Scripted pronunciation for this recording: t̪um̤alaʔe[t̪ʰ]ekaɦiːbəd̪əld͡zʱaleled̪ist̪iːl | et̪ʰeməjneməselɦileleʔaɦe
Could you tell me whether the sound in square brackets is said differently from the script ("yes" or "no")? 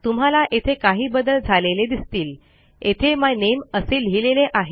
no